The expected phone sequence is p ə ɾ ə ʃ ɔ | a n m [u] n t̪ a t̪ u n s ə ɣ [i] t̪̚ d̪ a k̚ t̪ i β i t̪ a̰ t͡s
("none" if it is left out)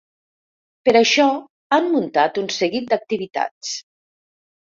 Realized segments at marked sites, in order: u, i

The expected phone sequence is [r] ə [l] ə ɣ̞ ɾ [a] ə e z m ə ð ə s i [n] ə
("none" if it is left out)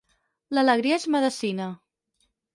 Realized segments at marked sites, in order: l, l, i, n

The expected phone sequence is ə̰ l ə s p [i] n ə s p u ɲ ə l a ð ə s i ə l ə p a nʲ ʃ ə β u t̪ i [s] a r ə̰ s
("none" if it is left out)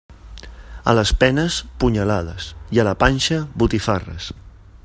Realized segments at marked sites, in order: ɛ, f

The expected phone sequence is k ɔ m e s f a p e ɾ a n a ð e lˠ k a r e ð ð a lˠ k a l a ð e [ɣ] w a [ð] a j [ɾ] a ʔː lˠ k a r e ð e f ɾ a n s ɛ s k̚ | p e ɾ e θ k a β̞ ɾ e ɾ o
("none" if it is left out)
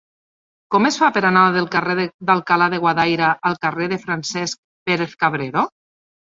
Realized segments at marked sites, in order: ɣ, ð, ɾ

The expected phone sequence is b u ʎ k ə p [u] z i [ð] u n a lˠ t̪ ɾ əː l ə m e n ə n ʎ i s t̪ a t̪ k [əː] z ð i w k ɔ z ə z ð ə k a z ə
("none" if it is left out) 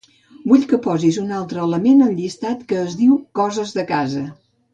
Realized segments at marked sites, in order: ɔ, z, əː

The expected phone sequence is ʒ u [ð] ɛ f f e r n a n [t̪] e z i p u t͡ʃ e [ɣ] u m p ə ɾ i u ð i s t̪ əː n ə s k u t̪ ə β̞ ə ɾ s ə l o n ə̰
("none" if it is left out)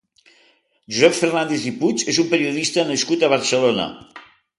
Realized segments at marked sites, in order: z, d̪, z

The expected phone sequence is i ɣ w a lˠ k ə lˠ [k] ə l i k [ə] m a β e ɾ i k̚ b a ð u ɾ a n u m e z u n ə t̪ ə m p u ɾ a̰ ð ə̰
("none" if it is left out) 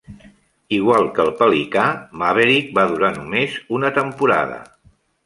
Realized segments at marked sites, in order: p, a

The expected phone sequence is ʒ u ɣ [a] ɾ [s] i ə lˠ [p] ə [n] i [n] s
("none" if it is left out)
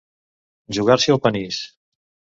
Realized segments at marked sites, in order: a, s, p, n, none

